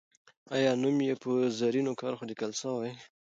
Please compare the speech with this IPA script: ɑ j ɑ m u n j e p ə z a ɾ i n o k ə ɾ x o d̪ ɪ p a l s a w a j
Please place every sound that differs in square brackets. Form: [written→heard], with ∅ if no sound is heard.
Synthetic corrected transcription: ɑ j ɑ [m→n] u [n→m] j e p ə z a ɾ i n o k [ə→ɑ] ɾ x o d̪ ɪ [p→k] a l s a w a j